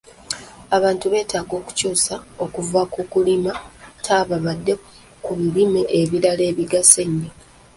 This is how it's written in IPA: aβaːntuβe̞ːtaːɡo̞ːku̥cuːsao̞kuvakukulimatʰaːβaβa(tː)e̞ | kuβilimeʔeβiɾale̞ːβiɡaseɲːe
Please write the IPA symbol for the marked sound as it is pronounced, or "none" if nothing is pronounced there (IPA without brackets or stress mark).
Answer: dː